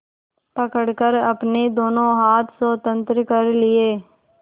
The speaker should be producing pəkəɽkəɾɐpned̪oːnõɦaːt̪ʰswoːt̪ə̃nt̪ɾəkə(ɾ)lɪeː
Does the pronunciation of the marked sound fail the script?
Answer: no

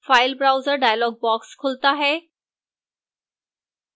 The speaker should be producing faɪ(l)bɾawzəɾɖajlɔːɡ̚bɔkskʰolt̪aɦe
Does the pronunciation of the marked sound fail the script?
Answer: no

